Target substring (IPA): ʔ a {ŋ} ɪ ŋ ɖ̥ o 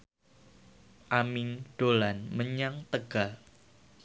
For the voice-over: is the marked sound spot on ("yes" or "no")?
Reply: no